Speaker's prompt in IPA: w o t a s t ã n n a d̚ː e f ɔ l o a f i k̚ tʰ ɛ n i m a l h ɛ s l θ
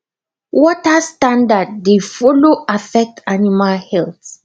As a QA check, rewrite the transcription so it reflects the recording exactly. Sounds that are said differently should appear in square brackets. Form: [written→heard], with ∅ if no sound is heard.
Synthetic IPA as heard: w [o→ɔ] t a s t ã n [n→d] a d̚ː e f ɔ l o a f [i→ɛ] k̚ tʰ [ɛ→a] n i m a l h ɛ [s→∅] l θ